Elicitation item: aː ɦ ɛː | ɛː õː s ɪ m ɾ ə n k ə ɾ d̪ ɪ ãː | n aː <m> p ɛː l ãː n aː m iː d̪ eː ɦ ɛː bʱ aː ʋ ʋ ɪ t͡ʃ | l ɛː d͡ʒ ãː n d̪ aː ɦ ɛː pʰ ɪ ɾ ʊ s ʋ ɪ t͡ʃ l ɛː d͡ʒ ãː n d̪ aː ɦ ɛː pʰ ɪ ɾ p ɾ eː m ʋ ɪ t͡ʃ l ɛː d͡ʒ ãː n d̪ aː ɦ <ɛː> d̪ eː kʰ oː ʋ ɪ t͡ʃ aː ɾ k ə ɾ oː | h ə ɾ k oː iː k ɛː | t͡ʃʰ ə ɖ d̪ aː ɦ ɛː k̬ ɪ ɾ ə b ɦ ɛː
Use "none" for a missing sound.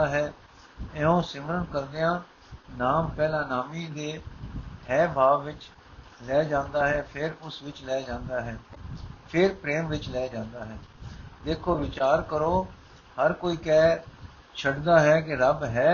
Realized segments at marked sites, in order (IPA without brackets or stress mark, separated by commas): m, ɛː